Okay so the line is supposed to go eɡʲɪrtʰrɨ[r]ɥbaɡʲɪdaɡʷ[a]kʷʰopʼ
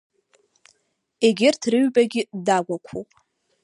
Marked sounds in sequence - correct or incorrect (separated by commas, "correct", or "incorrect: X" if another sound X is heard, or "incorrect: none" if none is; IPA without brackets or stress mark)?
incorrect: none, correct